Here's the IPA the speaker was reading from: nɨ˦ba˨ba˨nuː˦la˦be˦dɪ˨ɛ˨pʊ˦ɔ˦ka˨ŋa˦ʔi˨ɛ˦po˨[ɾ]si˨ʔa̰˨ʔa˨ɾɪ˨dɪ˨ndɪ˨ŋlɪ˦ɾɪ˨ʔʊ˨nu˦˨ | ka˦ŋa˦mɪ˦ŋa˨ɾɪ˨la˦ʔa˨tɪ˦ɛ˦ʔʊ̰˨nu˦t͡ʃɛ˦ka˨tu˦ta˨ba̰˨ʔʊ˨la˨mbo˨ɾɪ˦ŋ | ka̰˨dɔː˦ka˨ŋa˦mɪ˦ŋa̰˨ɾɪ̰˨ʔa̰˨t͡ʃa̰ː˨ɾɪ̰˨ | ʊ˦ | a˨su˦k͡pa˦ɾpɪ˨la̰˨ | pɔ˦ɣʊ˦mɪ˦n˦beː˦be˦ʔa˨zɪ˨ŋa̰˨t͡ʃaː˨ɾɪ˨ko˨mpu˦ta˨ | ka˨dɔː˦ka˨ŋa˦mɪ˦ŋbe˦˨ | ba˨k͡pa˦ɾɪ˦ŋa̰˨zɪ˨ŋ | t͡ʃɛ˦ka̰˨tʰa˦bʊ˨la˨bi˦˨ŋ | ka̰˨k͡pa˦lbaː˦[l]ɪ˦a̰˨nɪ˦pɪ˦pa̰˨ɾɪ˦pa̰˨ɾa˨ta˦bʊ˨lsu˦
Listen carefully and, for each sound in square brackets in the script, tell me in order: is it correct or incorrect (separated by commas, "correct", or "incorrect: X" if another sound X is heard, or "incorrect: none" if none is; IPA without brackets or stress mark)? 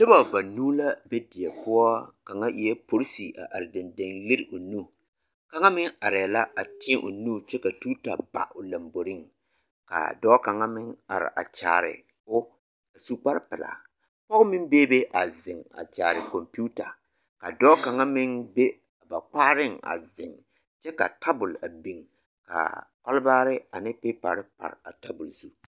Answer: correct, incorrect: ɾ